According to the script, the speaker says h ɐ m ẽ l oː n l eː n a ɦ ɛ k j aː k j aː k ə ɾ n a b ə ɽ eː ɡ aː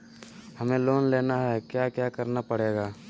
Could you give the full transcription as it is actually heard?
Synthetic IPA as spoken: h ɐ m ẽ l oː n l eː n a ɦ ɛ k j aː k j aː k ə ɾ n a p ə ɽ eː ɡ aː